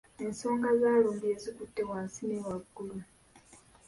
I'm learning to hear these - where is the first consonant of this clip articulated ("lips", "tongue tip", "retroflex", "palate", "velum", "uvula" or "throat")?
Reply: tongue tip